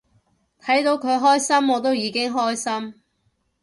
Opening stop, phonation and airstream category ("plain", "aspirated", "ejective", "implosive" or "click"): aspirated